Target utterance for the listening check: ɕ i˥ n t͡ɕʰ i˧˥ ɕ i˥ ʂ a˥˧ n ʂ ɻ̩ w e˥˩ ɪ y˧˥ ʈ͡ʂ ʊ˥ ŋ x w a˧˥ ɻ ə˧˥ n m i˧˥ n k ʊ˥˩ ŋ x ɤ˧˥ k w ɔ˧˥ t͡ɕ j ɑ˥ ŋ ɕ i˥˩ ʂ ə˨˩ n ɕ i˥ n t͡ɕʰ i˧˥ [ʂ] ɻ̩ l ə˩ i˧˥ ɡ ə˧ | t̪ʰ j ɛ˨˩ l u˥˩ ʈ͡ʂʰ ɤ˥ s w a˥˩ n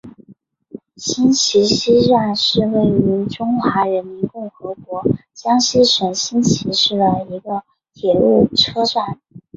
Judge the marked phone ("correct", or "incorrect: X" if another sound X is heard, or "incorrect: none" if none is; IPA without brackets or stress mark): correct